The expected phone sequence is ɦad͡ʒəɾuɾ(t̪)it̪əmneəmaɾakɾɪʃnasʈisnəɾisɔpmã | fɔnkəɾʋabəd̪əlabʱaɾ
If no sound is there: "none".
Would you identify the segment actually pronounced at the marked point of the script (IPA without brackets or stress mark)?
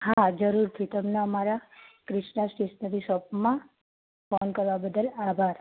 t̪ʰ